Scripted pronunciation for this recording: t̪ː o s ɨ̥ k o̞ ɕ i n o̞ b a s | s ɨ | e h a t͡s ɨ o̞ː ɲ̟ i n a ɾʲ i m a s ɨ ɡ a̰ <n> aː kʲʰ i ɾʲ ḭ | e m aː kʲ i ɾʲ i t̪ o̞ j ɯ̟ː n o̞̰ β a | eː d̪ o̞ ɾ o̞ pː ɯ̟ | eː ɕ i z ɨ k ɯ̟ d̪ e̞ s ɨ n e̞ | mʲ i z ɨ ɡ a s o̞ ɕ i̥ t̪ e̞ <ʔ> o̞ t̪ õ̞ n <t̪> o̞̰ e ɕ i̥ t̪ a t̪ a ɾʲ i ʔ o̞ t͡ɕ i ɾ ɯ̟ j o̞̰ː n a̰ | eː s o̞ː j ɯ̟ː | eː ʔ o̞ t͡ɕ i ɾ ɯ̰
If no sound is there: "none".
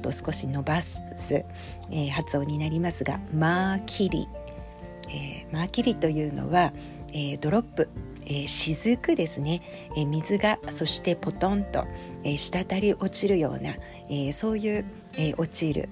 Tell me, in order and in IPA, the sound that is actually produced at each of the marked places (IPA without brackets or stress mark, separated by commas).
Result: m, p, t̪